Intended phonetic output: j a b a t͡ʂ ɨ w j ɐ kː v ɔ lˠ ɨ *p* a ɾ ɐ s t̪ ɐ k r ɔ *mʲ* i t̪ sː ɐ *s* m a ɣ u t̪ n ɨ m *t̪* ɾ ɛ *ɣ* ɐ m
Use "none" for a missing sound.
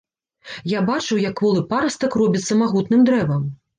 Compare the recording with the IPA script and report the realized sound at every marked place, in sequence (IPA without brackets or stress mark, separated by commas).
p, bʲ, none, d̪, v